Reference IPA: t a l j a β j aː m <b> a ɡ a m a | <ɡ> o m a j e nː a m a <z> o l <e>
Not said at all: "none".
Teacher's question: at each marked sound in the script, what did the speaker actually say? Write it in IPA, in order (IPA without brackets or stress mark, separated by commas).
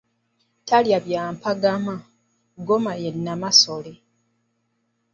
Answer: p, ɡ, s, e